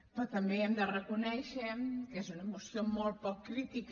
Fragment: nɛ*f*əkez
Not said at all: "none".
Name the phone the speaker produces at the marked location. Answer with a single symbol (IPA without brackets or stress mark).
ʃ